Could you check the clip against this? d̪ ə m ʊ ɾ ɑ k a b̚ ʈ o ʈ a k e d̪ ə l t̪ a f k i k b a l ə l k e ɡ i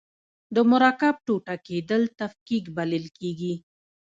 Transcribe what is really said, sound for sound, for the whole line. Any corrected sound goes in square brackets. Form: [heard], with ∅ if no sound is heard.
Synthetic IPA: d̪ ə m ʊ ɾ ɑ k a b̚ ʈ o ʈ a k e d̪ ə l t̪ a f k i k b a l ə l k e ɡ i